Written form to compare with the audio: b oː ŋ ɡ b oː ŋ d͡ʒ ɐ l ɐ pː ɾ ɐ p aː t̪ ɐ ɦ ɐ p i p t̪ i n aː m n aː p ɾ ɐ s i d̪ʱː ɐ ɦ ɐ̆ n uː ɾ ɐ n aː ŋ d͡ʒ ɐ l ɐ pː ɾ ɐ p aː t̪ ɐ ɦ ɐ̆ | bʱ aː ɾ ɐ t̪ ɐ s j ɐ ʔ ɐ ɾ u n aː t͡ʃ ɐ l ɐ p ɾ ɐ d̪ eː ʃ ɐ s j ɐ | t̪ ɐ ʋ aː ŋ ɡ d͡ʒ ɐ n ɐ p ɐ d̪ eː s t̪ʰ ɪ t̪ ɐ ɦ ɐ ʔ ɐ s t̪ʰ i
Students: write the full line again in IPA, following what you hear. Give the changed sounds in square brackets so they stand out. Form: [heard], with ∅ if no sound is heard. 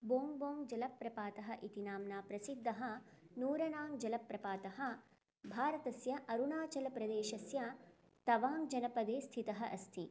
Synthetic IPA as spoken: b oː ŋ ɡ b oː ŋ d͡ʒ ɐ l ɐ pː ɾ ɐ p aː t̪ ɐ ɦ ɐ [ʔ] i [∅] t̪ i n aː m n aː p ɾ ɐ s i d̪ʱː ɐ ɦ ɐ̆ n uː ɾ ɐ n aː ŋ d͡ʒ ɐ l ɐ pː ɾ ɐ p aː t̪ ɐ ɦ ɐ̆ | bʱ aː ɾ ɐ t̪ ɐ s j ɐ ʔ ɐ ɾ u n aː t͡ʃ ɐ l ɐ p ɾ ɐ d̪ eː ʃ ɐ s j ɐ | t̪ ɐ ʋ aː ŋ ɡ d͡ʒ ɐ n ɐ p ɐ d̪ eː s t̪ʰ [i] t̪ ɐ ɦ ɐ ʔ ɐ s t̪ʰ i